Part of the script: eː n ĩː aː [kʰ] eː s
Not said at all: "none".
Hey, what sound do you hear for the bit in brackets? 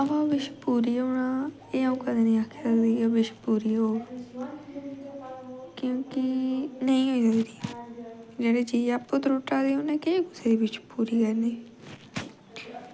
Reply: kʰ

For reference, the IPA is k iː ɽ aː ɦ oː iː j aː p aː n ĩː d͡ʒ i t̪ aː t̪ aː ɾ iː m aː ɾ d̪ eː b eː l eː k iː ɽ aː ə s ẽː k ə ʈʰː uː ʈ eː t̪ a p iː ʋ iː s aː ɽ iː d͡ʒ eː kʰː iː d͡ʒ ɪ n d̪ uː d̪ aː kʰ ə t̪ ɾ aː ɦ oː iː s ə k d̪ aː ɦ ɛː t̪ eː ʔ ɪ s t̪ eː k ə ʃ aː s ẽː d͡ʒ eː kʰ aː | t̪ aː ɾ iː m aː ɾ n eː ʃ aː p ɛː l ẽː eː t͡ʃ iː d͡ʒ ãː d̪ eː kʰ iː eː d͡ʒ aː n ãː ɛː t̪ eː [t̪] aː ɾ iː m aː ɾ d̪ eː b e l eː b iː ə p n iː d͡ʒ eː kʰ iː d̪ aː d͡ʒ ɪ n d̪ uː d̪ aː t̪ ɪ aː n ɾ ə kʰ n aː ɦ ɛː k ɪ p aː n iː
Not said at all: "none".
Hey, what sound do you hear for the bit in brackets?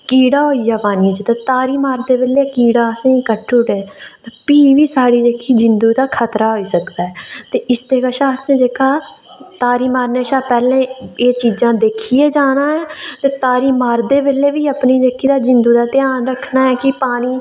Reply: t̪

